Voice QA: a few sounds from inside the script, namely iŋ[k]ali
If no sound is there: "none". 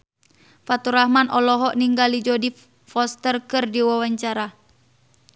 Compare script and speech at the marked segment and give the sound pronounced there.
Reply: ɡ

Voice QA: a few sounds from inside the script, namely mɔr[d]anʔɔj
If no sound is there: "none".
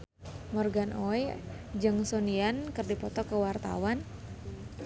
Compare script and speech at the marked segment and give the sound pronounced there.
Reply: ɡ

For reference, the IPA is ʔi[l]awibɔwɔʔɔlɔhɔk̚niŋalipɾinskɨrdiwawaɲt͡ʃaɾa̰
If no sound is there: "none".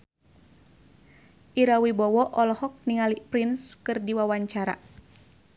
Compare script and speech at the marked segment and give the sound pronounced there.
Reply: ɾ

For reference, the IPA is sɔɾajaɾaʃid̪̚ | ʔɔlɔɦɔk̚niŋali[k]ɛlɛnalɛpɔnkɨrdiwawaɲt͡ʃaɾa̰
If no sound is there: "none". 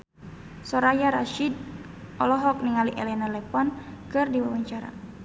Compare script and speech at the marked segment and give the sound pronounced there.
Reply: ʔ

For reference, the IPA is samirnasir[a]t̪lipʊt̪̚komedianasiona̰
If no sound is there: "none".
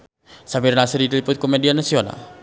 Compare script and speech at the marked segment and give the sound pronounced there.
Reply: i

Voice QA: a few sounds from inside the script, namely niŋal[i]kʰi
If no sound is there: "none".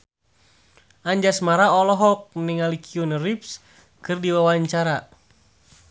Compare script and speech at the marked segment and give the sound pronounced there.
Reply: i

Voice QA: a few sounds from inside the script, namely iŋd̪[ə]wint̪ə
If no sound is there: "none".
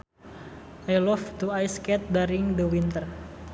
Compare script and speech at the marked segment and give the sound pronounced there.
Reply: ə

